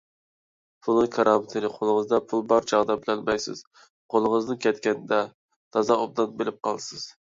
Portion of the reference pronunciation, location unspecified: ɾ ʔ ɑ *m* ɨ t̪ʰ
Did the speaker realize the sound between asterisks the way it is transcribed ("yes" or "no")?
yes